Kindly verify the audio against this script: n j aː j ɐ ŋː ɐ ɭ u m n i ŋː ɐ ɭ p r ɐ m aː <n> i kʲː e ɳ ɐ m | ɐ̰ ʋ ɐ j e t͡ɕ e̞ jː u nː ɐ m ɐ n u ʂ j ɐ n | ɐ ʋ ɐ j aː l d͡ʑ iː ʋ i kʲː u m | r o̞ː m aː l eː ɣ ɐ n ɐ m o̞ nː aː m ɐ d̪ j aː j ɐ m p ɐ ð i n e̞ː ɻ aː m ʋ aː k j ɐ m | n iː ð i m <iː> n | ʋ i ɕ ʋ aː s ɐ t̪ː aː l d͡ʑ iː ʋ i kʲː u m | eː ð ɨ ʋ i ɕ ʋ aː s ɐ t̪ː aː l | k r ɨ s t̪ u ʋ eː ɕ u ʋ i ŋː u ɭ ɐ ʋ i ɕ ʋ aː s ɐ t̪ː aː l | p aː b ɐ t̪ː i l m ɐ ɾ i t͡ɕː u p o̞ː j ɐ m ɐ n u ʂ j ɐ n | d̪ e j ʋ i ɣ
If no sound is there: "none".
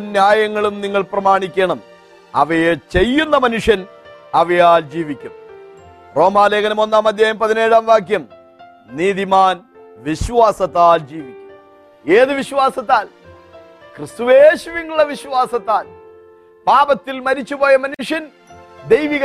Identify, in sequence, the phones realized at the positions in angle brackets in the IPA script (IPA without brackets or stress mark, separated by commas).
ɳ, aː